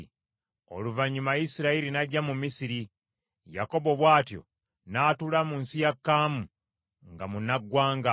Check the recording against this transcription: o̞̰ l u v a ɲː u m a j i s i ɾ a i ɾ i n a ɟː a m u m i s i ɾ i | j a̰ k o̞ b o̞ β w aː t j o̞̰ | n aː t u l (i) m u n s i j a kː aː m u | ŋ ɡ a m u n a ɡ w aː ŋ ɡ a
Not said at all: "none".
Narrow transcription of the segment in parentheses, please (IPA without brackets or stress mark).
a